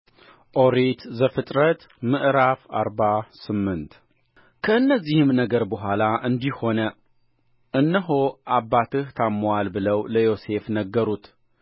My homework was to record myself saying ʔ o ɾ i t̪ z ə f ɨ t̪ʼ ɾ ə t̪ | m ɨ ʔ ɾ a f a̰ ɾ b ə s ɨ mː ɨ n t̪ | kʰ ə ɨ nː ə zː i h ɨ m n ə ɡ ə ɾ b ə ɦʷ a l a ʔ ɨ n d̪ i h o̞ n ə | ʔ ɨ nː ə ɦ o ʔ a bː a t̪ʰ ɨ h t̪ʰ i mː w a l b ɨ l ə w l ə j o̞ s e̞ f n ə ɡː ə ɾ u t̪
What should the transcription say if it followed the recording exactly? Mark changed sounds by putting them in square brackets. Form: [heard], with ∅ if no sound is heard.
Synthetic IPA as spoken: ʔ o ɾ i t̪ z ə f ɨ t̪ʼ ɾ ə t̪ | m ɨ ʔ ɾ a f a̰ ɾ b [a] s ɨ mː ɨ n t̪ | kʰ ə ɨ nː ə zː i h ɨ m n ə ɡ ə ɾ b ə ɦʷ a l a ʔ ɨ n d̪ i h o̞ n ə | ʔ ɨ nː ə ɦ o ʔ a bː a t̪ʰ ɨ h t̪ʰ [a] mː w a l b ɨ l ə w l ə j o̞ s e̞ f n ə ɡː ə ɾ u t̪